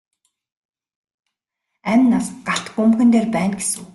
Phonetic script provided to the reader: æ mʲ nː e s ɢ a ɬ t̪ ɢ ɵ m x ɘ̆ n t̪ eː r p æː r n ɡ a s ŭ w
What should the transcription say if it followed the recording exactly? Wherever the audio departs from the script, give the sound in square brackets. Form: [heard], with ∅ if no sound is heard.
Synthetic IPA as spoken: æ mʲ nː [a] s ɢ a ɬ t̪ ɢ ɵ m x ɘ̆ n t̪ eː r p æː [∅] n ɡ [e] s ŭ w